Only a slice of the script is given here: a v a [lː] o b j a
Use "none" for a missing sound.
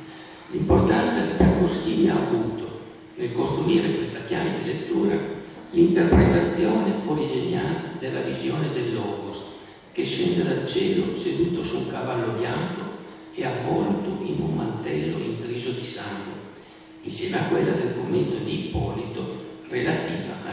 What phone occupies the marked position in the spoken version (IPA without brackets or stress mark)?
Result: lː